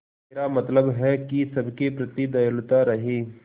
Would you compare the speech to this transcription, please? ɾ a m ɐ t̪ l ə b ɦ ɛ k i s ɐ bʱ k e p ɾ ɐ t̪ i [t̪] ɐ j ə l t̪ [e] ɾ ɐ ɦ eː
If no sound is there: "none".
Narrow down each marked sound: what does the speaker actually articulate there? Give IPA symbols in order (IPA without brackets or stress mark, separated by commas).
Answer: d̪, a